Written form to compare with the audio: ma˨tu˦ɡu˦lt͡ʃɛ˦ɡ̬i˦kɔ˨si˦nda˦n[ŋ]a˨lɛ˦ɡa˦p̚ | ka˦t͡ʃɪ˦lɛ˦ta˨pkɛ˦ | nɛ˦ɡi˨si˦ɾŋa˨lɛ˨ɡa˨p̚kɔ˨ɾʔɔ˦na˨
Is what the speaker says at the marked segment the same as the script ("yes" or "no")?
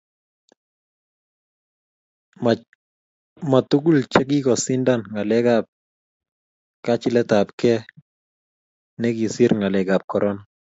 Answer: yes